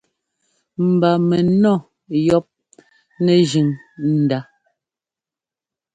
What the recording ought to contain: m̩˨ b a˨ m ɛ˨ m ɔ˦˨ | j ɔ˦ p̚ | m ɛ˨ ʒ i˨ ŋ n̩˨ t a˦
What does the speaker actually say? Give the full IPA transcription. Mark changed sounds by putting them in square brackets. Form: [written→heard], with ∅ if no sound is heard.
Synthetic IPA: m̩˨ b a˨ m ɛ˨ [m→n] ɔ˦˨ | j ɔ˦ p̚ | [m→n] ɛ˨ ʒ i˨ ŋ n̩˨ [t→d] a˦